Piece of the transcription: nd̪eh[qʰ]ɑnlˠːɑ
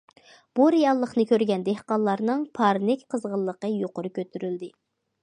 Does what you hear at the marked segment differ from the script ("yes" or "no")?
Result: yes